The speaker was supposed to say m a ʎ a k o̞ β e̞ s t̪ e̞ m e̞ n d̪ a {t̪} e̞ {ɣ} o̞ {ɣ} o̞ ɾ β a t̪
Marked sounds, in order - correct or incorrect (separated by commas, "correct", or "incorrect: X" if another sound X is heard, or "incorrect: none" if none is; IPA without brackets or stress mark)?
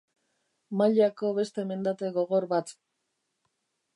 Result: correct, correct, correct